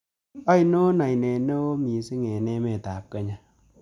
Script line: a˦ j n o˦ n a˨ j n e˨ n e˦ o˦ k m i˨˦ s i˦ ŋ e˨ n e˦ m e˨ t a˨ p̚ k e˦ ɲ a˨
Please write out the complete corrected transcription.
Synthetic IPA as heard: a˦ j n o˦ n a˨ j n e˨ n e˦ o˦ m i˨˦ s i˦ ŋ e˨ n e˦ m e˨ t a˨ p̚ k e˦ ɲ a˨